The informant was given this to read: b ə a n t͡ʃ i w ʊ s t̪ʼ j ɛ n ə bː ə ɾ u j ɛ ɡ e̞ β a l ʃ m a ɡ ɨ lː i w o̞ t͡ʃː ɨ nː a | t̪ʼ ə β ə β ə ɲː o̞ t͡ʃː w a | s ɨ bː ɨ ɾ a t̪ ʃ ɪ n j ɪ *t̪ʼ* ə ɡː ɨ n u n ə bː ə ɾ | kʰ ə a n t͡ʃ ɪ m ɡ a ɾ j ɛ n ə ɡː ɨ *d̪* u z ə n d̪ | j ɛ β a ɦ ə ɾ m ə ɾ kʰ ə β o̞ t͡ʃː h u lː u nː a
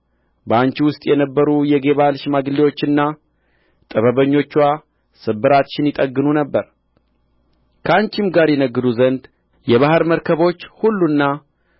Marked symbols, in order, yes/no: yes, yes

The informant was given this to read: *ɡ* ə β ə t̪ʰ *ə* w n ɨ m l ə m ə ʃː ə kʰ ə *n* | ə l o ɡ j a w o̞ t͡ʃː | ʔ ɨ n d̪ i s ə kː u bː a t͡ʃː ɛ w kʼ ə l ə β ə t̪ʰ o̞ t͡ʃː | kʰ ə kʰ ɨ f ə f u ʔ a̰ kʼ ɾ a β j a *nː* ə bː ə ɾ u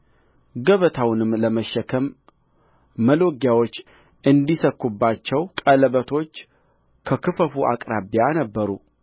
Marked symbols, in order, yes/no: yes, no, no, no

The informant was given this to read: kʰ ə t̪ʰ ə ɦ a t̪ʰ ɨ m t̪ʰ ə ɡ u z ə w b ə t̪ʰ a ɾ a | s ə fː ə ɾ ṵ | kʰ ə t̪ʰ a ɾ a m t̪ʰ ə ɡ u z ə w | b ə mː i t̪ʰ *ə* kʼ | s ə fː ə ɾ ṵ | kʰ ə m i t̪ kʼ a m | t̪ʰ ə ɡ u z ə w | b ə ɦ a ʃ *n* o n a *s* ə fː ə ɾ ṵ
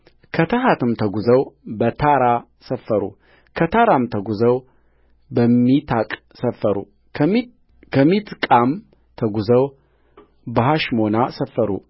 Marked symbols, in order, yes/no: no, no, yes

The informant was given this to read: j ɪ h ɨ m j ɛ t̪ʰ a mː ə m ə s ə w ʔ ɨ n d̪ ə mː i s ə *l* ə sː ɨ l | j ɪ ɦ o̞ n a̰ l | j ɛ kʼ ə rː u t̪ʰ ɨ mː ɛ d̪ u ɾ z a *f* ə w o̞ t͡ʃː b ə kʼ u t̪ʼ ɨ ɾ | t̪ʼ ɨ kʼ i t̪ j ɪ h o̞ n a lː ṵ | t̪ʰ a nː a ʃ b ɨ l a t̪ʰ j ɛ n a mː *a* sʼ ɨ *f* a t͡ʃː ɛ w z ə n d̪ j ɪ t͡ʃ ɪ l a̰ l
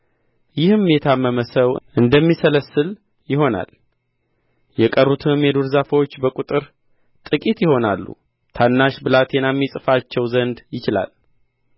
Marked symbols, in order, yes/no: yes, yes, no, yes

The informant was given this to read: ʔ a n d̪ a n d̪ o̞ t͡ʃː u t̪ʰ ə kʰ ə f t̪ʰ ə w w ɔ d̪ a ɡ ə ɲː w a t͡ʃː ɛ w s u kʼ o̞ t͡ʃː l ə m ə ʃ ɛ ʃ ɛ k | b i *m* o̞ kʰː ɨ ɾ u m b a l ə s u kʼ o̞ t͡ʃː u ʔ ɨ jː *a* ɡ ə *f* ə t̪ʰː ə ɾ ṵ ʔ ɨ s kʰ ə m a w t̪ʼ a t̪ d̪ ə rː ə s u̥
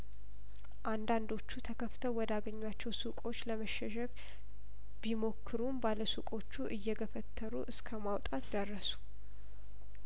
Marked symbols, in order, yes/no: yes, no, yes

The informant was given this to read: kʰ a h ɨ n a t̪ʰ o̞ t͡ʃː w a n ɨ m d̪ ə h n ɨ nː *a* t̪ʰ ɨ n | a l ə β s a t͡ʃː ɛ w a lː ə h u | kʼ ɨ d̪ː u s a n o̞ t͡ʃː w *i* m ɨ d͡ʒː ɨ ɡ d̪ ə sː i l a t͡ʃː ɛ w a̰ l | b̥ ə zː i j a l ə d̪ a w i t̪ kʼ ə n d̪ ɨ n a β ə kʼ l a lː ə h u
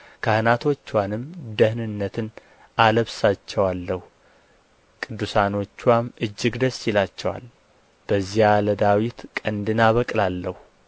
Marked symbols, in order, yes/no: no, no

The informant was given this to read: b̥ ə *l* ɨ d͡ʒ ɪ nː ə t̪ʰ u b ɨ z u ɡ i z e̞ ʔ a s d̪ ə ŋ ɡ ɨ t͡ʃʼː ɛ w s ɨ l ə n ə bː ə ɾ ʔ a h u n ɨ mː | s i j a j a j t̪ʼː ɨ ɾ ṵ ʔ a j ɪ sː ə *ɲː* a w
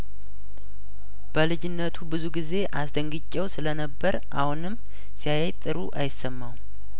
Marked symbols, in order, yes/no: yes, no

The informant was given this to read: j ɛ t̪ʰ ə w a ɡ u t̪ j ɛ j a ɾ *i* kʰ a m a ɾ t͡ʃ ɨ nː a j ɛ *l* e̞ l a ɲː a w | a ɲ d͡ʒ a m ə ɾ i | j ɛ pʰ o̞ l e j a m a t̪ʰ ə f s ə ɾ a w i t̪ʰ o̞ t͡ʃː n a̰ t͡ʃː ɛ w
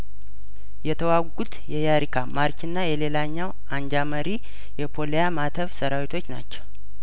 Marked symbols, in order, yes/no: yes, yes

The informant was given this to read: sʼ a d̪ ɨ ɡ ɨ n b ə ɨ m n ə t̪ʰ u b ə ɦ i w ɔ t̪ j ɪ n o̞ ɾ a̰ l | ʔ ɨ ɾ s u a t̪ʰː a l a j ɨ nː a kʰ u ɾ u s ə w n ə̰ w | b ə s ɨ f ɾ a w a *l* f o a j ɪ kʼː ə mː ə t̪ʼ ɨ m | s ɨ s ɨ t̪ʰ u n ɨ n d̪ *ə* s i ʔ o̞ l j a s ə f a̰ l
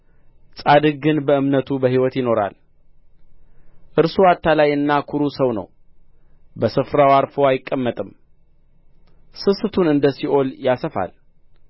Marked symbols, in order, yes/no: no, yes

